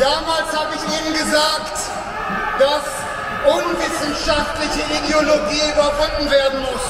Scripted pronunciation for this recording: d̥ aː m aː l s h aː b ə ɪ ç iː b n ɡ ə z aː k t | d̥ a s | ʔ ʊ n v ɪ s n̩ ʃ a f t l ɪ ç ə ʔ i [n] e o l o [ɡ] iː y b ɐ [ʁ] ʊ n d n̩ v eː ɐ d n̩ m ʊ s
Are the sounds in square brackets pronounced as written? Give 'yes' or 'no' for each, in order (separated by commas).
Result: no, yes, no